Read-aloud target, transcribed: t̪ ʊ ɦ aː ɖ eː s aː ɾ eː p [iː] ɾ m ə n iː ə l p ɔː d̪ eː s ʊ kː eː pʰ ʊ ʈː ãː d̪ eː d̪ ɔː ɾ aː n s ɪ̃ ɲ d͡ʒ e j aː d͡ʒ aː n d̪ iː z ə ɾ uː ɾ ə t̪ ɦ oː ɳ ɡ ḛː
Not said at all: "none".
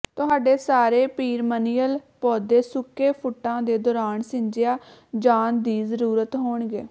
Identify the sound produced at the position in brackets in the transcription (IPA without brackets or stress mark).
iː